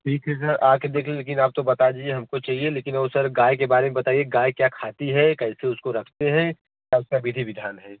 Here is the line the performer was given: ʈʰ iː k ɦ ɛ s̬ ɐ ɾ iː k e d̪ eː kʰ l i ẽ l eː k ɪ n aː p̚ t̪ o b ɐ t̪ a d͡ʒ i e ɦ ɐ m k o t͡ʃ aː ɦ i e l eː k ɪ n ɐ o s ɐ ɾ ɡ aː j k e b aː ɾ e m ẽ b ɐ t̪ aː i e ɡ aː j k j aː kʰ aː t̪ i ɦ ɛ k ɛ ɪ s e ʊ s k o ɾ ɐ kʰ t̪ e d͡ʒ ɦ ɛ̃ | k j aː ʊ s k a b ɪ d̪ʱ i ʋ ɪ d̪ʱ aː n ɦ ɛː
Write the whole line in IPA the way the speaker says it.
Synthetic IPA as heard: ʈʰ iː k ɦ ɛ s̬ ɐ ɾ aː k e d̪ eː kʰ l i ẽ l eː k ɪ n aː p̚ t̪ o b ɐ t̪ a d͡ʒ i e ɦ ɐ m k o t͡ʃ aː ɦ i e l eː k ɪ n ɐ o s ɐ ɾ ɡ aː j k e b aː ɾ e m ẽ b ɐ t̪ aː i e ɡ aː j k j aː kʰ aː t̪ i ɦ ɛ k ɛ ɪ s e ʊ s k o ɾ ɐ kʰ t̪ e ɦ ɛ̃ | k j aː ʊ s k a b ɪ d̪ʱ i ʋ ɪ d̪ʱ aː n ɦ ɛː